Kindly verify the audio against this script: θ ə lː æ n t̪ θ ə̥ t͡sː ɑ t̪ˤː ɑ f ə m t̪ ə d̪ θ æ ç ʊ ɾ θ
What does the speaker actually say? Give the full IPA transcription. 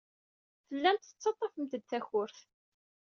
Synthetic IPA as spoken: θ ə lː æ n t̪ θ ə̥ t͡sː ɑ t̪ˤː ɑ f ə m t̪ ə d̪ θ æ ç ʊ ɾ θ